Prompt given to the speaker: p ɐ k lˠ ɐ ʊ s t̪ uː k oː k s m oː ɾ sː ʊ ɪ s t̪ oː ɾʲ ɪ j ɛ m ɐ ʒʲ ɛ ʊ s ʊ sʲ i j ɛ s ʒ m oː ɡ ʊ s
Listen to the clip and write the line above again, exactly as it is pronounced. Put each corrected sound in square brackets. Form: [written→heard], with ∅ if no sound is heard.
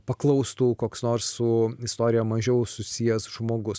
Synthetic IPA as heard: p ɐ k lˠ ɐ ʊ s t̪ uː k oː k s [m→n] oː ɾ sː ʊ ɪ s t̪ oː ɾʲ ɪ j ɛ m ɐ ʒʲ ɛ ʊ s ʊ sʲ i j ɛ s ʒ m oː ɡ ʊ s

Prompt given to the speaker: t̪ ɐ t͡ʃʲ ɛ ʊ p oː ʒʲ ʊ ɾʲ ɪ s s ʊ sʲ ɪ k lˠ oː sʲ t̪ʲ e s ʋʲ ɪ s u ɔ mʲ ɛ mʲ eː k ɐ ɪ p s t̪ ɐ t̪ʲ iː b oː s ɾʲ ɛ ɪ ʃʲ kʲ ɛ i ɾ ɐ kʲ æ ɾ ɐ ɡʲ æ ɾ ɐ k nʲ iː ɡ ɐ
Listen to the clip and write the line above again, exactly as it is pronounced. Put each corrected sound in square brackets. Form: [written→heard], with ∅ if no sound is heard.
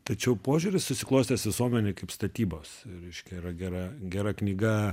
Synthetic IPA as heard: t̪ ɐ t͡ʃʲ ɛ ʊ p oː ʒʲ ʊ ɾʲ ɪ s s ʊ sʲ ɪ k lˠ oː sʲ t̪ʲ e s ʋʲ ɪ s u ɔ mʲ ɛ [mʲ→nʲ] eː k ɐ ɪ p s t̪ ɐ t̪ʲ iː b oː s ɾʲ ɛ ɪ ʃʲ kʲ ɛ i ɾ ɐ [kʲ→ɡʲ] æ ɾ ɐ ɡʲ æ ɾ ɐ k nʲ iː ɡ ɐ

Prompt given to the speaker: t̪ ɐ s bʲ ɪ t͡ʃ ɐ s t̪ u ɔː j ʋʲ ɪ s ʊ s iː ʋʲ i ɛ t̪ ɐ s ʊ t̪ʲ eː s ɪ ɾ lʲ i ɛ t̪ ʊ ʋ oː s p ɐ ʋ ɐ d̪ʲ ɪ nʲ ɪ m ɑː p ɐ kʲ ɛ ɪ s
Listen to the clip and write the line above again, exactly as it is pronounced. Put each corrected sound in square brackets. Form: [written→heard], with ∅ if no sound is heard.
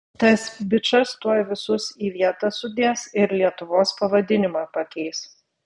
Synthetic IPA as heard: t̪ ɐ s bʲ ɪ t͡ʃ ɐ s t̪ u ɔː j ʋʲ ɪ s ʊ s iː ʋʲ i ɛ t̪ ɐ s ʊ [t̪ʲ→d̪ʲ] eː s ɪ ɾ lʲ i ɛ t̪ ʊ ʋ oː s p ɐ ʋ ɐ d̪ʲ ɪ nʲ ɪ m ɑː p ɐ kʲ ɛ ɪ s

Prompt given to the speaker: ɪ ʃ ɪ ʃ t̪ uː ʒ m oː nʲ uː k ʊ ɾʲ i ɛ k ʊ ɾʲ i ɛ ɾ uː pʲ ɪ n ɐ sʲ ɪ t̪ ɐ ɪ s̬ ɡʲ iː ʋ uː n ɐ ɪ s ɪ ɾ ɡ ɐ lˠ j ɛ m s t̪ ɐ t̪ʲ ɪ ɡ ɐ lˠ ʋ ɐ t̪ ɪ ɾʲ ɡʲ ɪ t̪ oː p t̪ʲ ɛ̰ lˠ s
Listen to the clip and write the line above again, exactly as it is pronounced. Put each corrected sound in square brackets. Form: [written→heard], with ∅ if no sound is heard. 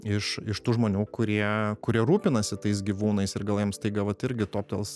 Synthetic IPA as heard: ɪ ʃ ɪ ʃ t̪ uː ʒ m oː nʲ uː k ʊ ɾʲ i ɛ k ʊ ɾʲ i ɛ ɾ uː pʲ ɪ n ɐ sʲ ɪ t̪ ɐ ɪ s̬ ɡʲ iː ʋ uː n ɐ ɪ s ɪ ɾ ɡ ɐ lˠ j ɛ m s t̪ ɐ [t̪ʲ→∅] ɪ ɡ ɐ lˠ ʋ ɐ t̪ ɪ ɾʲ ɡʲ ɪ t̪ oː p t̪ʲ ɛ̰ lˠ s

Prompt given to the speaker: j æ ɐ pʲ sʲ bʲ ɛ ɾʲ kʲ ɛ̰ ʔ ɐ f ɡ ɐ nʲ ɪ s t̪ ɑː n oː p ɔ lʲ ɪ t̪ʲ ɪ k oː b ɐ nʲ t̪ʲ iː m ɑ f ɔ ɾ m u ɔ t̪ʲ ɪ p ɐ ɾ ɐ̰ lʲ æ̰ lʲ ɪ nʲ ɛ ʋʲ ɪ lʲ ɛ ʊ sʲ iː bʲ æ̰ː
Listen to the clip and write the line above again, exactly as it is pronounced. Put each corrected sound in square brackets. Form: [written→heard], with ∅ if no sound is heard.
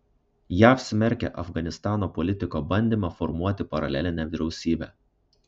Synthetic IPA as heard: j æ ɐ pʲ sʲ [bʲ→mʲ] ɛ ɾʲ kʲ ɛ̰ ʔ ɐ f ɡ ɐ nʲ ɪ s t̪ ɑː n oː p ɔ lʲ ɪ t̪ʲ ɪ k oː b ɐ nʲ [t̪ʲ→d̪ʲ] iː m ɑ f ɔ ɾ m u ɔ t̪ʲ ɪ p ɐ ɾ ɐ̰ lʲ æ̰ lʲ ɪ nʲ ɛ ʋʲ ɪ [lʲ→ɾʲ] ɛ ʊ sʲ iː bʲ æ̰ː

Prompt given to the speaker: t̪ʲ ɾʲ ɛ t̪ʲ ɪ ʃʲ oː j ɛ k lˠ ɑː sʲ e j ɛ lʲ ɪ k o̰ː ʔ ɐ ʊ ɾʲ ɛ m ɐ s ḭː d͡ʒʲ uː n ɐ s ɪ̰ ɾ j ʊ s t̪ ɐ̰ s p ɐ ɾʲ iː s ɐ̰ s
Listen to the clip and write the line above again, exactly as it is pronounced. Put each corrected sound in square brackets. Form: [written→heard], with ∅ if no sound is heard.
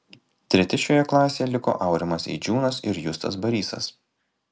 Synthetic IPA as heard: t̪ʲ ɾʲ ɛ t̪ʲ ɪ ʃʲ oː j ɛ k lˠ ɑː sʲ e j ɛ lʲ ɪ k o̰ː ʔ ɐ ʊ ɾʲ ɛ m ɐ s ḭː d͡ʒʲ uː n ɐ s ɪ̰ ɾ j ʊ s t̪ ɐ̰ s [p→b] ɐ ɾʲ iː s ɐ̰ s

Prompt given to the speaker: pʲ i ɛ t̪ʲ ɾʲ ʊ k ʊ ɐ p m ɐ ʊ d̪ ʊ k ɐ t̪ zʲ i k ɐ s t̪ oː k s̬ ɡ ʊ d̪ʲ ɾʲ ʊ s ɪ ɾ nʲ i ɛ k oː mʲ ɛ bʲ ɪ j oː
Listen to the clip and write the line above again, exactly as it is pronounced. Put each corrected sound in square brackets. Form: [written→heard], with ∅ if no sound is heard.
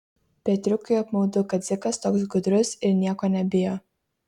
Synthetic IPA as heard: pʲ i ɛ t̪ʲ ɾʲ ʊ k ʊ ɐ p m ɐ ʊ d̪ ʊ k ɐ t̪ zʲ [i→ɪ] k ɐ s t̪ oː k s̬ ɡ ʊ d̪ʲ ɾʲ ʊ s ɪ ɾ nʲ i ɛ k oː [mʲ→nʲ] ɛ bʲ ɪ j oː

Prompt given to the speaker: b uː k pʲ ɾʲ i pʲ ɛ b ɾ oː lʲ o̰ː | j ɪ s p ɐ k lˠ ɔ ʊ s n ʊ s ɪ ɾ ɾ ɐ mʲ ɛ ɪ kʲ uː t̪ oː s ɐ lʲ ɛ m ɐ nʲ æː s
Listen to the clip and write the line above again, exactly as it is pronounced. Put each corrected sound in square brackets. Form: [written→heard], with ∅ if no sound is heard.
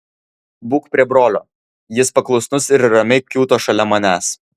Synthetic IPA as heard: b uː k pʲ ɾʲ i [pʲ→∅] ɛ b ɾ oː lʲ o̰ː | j ɪ s p ɐ k lˠ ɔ ʊ s n ʊ s ɪ ɾ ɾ ɐ mʲ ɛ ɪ kʲ uː t̪ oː [s→ʃ] ɐ lʲ ɛ m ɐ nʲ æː s

